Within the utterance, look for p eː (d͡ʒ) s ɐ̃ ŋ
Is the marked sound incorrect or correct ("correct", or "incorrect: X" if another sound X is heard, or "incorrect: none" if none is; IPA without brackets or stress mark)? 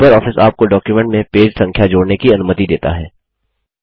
correct